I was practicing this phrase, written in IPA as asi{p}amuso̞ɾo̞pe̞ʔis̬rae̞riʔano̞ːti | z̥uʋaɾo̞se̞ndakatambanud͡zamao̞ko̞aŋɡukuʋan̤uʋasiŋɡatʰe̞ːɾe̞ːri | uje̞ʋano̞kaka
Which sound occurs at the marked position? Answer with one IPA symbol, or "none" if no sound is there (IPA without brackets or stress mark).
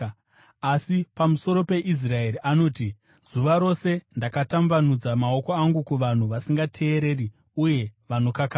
p